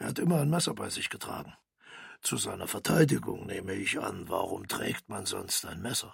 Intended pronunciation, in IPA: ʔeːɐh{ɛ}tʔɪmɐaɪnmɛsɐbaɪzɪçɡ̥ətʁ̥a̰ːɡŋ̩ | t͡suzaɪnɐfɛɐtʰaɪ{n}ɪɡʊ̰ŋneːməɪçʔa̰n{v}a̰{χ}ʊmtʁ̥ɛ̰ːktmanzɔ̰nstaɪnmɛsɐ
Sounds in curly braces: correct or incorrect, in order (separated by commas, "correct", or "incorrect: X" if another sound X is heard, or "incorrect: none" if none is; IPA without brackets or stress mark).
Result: incorrect: a, incorrect: d, correct, incorrect: ʁ